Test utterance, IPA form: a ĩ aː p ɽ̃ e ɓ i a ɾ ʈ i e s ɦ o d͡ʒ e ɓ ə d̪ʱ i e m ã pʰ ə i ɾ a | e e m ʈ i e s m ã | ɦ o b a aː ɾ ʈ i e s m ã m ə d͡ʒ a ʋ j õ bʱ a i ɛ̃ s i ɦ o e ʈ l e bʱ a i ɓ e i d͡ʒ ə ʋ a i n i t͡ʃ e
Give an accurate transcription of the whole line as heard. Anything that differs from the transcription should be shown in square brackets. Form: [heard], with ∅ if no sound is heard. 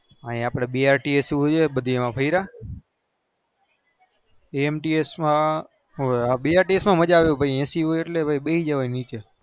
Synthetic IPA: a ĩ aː p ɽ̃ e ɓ i a ɾ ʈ i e s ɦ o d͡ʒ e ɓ ə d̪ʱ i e m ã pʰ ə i ɾ a | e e m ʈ i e s m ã | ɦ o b [i] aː ɾ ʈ i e s m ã m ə d͡ʒ a ʋ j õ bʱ a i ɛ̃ s i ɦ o e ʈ l e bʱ a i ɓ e i d͡ʒ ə ʋ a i n i t͡ʃ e

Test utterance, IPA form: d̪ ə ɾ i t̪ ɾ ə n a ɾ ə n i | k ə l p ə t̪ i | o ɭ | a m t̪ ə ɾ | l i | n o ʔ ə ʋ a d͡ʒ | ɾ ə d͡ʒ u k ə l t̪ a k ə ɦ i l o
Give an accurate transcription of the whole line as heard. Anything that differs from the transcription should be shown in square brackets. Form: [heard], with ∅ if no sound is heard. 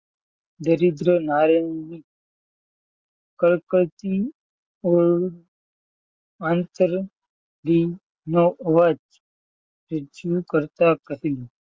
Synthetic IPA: d̪ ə ɾ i [d̪] ɾ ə n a ɾ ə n i | k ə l [k] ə t̪ i | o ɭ | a [n] t̪ ə ɾ | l i | n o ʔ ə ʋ a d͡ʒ | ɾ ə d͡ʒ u k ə [ɾ] t̪ a k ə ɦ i l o

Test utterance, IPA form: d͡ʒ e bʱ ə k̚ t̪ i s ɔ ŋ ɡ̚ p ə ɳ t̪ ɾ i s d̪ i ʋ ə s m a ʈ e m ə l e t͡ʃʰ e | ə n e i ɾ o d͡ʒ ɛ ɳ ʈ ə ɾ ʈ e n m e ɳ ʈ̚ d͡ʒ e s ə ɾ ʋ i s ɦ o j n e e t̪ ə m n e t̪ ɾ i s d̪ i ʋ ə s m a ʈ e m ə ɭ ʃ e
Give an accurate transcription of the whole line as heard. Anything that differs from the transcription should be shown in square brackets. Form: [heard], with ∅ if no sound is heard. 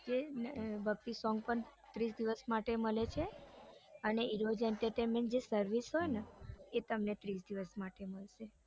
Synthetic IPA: d͡ʒ e bʱ ə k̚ t̪ i s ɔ ŋ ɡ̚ p ə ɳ t̪ ɾ i s d̪ i ʋ ə s m a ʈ e m ə l e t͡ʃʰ e | ə n e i ɾ o d͡ʒ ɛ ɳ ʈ ə ɾ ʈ e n m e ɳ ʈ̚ d͡ʒ e s ə ɾ ʋ i s ɦ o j n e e t̪ ə m n e t̪ ɾ i s d̪ i ʋ ə s m a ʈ e m ə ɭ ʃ e

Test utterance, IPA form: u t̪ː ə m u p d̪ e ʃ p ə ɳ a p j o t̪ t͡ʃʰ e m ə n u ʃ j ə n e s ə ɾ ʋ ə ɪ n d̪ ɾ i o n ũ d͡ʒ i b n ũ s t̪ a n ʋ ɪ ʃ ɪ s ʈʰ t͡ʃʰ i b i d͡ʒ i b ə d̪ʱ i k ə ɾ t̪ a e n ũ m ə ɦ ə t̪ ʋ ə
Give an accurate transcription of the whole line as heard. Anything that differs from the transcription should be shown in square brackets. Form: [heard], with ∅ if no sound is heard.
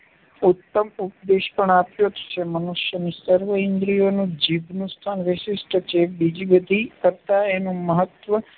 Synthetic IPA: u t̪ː ə m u p d̪ e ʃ p ə ɳ a p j o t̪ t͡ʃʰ e m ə n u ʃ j ə n [i] s ə ɾ ʋ ə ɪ n d̪ ɾ i o n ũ d͡ʒ i b n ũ s [t̪ʰ] a n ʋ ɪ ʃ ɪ s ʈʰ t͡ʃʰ [e] b i d͡ʒ i b ə d̪ʱ i k ə ɾ t̪ a e n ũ m ə ɦ ə t̪ ʋ ə

